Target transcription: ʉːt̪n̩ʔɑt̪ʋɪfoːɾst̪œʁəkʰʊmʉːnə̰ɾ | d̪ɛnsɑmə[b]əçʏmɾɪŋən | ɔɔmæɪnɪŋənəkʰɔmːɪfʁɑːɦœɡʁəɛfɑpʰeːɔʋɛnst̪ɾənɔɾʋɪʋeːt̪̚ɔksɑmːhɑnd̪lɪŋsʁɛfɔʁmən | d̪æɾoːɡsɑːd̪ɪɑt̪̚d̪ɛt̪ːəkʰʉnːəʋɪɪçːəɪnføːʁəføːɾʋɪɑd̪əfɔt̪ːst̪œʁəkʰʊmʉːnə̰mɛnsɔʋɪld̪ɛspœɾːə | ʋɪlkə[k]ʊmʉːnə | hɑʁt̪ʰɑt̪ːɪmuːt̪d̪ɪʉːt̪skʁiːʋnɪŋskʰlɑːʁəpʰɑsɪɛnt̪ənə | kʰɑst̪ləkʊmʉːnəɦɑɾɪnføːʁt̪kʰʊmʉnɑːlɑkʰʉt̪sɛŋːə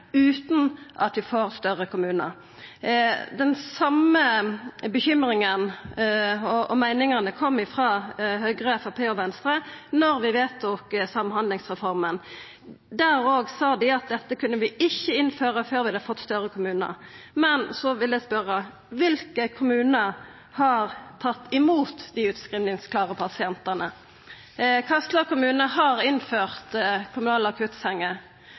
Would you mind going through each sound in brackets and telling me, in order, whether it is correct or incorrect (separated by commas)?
correct, incorrect